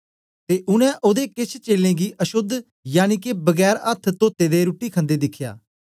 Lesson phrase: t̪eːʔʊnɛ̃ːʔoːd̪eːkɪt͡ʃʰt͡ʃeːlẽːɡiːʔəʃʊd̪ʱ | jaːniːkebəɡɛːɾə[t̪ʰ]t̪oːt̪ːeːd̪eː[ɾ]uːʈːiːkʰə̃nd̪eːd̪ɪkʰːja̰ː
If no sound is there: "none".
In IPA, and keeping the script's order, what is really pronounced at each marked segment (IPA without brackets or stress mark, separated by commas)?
t̪ʰ, ɾ